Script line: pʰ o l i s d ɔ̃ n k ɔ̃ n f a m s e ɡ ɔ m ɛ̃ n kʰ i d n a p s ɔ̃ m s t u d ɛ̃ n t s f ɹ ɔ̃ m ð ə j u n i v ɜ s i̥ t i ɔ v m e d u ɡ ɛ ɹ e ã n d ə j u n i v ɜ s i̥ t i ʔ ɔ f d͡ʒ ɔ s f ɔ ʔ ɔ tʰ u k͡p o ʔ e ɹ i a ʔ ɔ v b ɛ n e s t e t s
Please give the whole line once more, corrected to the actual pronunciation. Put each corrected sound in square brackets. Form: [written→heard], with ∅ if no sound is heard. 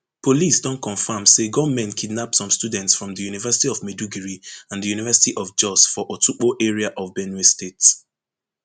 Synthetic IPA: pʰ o l i s d ɔ̃ n k ɔ̃ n f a m s e ɡ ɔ m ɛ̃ n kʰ i d n a p s ɔ̃ m s t u d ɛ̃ n t s f ɹ ɔ̃ m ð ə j u n i v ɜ s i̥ t i ɔ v m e d u ɡ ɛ ɹ [e→i] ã n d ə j u n i v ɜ s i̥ t i ʔ ɔ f d͡ʒ ɔ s f ɔ ʔ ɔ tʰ u k͡p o ʔ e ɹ i a ʔ ɔ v b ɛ n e s t e t s

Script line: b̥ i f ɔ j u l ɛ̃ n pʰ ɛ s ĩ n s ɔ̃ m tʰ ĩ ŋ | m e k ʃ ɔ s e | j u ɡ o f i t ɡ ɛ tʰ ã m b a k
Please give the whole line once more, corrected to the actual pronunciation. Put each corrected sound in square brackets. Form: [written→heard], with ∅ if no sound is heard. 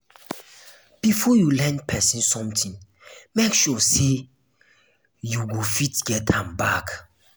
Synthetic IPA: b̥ i f ɔ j u l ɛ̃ n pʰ ɛ s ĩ n s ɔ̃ m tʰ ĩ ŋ | m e k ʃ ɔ s e | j u ɡ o f i t ɡ ɛ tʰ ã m b a k

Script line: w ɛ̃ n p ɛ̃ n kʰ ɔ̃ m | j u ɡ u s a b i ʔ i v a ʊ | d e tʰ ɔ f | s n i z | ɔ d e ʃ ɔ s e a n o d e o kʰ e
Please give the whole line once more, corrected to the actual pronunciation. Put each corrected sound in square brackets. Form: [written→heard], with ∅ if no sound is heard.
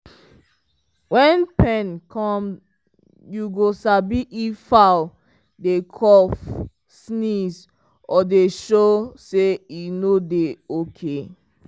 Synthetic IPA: w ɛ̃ n p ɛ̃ n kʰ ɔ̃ m | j u ɡ [u→o] s a b i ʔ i [v→f] a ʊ | d e [tʰ→kʰ] ɔ f | s n i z | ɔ d e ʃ [ɔ→o] s e [a→i] n o d e o kʰ e

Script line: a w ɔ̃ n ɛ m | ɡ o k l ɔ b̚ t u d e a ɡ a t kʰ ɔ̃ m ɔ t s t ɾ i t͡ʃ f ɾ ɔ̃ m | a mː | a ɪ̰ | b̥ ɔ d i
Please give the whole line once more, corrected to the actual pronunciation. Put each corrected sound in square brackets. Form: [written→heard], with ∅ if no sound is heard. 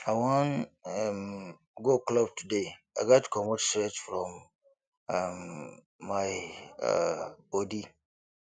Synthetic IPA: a w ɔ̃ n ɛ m | ɡ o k l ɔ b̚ t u d e a ɡ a t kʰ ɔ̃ m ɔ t s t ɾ [i→ɛ] t͡ʃ f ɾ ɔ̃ m | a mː | a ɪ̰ | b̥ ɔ d i

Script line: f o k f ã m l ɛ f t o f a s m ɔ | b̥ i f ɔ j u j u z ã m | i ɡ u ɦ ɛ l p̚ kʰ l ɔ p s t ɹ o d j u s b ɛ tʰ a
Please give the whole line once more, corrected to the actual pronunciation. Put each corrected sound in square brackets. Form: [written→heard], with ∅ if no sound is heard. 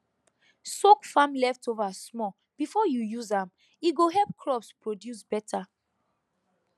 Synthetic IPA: [f→s] o k f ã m l ɛ f t o [f→v] a s m ɔ | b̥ i f ɔ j u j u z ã m | i ɡ [u→o] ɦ ɛ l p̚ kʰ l ɔ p s [t→p] ɹ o d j u s b ɛ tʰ a

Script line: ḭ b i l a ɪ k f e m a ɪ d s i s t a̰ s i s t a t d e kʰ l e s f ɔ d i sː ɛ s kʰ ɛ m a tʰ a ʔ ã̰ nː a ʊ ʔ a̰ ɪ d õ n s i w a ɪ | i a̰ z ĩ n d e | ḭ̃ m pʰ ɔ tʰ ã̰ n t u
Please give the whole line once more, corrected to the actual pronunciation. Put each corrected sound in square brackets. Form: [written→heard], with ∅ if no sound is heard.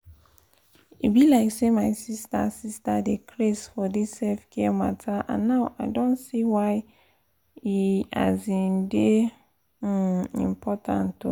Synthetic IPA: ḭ b i l a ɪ k [f→s] e m a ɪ [d→∅] s i s t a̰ s i s t a [t→∅] d e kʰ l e s f ɔ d i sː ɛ [s→f] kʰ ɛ m a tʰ a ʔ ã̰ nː a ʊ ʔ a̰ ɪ d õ n s i w a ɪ | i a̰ z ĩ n d e | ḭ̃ m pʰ ɔ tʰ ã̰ n t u

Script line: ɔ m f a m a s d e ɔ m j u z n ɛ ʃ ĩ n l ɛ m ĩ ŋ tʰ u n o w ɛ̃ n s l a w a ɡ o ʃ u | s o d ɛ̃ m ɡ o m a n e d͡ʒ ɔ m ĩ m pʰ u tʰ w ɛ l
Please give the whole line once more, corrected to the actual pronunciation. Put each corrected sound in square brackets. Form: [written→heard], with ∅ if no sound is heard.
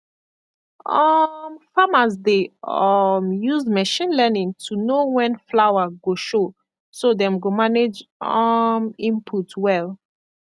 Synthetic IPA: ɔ m f a m a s d e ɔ m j u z [n→m] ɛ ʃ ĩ n l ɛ [m→n] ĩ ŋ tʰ u n o w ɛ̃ n [s→f] l a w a ɡ o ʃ [u→o] | s o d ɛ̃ m ɡ o m a n e d͡ʒ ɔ m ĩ m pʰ u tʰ w ɛ l

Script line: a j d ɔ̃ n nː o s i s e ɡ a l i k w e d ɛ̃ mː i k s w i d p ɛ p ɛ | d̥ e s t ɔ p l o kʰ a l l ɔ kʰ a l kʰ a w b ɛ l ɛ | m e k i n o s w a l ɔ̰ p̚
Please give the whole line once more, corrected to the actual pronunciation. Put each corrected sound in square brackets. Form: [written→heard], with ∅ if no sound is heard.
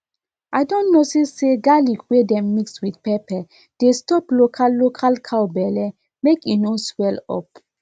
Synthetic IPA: a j d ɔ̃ n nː o s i s e ɡ a l i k w e d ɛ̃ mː i k s w i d p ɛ p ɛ | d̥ e s t ɔ p l o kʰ a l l [ɔ→o] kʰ a l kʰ a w b ɛ l ɛ | m e k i n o s w [a→ɛ] l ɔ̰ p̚

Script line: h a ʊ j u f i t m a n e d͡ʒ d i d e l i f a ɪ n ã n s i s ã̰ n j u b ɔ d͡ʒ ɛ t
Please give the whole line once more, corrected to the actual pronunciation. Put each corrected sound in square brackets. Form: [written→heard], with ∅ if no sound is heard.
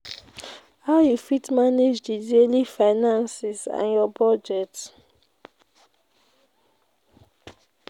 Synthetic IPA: h a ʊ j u f i t m a n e d͡ʒ d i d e l i f a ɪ n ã n s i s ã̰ n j [u→ɔ] b ɔ d͡ʒ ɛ t

